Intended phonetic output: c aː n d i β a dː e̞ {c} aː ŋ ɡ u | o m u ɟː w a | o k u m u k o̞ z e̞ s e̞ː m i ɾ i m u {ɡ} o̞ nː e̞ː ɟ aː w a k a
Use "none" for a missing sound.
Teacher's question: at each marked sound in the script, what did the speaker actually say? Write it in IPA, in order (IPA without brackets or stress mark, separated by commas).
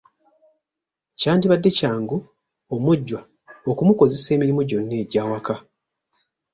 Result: c, ɟ